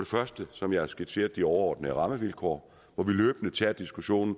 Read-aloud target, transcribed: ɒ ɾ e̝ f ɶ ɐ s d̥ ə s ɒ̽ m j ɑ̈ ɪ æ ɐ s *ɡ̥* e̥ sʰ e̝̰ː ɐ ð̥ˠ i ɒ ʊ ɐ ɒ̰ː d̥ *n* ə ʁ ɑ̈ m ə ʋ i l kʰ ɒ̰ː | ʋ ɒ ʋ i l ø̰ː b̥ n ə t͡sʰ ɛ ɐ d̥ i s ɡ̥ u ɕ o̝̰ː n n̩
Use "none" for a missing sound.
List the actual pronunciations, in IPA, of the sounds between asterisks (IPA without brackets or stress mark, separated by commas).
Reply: ɡ̥, n